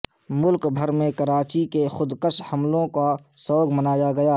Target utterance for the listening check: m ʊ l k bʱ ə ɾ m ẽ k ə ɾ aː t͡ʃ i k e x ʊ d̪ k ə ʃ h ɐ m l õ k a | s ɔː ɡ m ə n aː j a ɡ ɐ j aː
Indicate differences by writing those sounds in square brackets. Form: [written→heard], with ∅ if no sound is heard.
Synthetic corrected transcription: m ʊ l k bʱ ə ɾ m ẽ k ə ɾ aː t͡ʃ i k e x ʊ d̪ k ə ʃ h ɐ m l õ k a | s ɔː ɡ m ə n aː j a ɡ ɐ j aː